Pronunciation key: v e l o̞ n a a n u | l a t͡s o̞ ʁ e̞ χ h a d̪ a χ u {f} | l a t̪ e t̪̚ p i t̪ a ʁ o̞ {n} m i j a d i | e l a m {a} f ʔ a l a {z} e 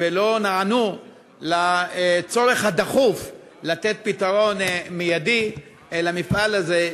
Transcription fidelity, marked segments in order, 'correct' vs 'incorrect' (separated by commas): correct, correct, incorrect, correct